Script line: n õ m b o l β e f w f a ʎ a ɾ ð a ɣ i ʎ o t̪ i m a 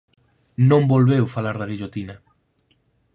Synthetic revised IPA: n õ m b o l β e w f a l a ɾ ð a ɣ i ʎ o t̪ i n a